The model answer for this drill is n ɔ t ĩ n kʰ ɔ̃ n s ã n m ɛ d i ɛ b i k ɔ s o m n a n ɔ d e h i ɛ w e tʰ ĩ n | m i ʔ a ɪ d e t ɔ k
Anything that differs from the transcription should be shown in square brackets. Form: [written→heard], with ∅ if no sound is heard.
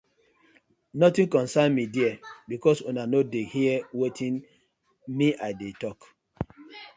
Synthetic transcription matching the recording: n ɔ t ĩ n [kʰ→k] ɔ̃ n s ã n m [ɛ→i] d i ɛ b i k ɔ s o [m→∅] n a n [ɔ→o] d e h i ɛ w e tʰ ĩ n | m i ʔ a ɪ d e t ɔ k